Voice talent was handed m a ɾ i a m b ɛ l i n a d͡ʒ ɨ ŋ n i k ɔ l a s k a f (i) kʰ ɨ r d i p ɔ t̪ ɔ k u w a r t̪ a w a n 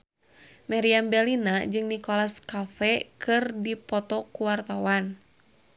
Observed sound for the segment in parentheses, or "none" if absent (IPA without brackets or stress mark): ɛ